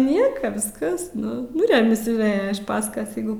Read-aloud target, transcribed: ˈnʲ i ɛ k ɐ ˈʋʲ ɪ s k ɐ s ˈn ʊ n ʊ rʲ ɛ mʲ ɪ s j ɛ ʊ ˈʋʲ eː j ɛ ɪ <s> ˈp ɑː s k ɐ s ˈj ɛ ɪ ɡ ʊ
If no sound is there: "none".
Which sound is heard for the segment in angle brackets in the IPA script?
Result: ʃ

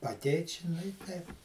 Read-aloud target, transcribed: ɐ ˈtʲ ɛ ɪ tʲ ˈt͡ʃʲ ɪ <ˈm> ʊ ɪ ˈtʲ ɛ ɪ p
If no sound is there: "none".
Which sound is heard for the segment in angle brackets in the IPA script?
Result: n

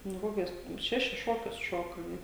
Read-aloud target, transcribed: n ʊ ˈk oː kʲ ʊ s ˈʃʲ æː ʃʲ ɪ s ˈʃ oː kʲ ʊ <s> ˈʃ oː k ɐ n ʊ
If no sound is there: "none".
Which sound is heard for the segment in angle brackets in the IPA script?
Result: s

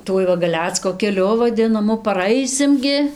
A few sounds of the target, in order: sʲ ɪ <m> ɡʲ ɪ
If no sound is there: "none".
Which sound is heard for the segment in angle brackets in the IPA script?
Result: m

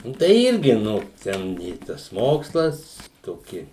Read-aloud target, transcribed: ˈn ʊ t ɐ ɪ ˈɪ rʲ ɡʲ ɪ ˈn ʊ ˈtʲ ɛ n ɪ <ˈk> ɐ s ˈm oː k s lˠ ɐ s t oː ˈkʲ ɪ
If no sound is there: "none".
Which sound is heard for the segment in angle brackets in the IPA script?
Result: t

